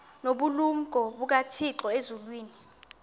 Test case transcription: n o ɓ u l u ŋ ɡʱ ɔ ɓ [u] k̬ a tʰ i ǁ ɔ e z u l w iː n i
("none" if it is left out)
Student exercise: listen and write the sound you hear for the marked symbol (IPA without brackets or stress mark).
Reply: u